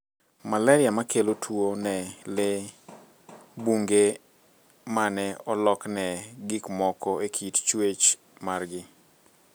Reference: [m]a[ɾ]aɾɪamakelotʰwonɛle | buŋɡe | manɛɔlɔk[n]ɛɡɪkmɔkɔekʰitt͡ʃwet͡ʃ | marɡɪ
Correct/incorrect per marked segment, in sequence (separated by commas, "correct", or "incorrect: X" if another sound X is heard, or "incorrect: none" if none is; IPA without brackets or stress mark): correct, incorrect: l, correct